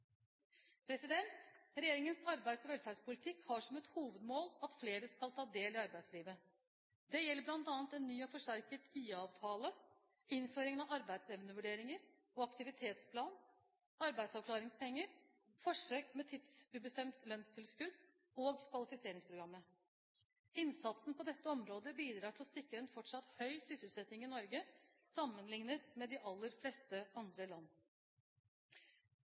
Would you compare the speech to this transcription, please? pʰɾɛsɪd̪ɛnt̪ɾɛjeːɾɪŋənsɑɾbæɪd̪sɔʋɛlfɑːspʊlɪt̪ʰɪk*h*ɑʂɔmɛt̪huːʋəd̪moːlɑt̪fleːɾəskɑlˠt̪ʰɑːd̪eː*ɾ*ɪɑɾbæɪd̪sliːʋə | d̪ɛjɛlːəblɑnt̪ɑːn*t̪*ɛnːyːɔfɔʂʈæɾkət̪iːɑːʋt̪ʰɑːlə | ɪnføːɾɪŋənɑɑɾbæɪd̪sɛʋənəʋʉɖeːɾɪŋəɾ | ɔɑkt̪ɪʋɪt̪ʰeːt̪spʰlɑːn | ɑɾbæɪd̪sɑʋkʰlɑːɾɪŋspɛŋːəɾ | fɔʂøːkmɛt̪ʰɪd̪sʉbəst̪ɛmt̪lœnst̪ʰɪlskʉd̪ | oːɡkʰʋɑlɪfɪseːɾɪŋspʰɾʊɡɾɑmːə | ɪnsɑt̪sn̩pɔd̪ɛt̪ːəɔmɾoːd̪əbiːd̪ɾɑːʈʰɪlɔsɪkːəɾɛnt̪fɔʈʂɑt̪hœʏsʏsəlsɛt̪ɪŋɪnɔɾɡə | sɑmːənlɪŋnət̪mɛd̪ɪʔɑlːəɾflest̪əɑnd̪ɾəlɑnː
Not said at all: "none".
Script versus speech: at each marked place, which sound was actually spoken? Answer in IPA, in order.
h, l, t̪

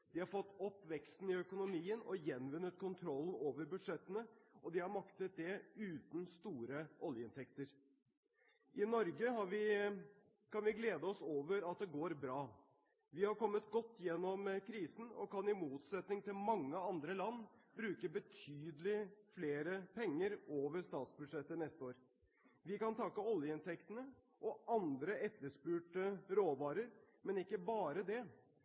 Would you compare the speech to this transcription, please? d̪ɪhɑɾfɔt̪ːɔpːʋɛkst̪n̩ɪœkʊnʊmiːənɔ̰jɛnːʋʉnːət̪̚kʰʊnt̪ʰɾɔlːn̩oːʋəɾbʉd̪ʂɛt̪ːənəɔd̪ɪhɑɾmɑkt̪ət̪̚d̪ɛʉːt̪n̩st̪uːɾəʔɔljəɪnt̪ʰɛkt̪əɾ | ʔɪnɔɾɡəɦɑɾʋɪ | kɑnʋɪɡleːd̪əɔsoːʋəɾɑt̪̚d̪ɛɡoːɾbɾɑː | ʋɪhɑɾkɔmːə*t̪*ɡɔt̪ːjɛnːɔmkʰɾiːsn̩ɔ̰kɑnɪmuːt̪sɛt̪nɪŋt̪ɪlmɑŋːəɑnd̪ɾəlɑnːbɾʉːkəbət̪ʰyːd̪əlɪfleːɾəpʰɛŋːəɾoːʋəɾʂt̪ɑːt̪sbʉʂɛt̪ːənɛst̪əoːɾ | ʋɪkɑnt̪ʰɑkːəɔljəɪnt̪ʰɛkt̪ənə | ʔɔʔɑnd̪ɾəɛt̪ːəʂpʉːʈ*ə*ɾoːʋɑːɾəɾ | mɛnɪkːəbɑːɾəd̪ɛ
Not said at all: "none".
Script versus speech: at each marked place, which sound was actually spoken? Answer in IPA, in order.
t̪, ə

